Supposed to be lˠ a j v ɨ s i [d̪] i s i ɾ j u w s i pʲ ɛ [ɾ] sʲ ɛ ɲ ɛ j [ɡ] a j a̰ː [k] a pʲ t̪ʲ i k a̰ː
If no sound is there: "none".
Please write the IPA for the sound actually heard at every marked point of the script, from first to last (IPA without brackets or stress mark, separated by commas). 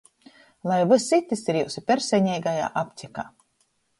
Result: t̪, ɾ, ɡ, ʔ